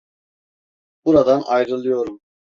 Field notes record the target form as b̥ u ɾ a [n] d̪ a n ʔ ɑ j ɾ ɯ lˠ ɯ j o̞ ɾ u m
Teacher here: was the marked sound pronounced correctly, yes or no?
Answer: no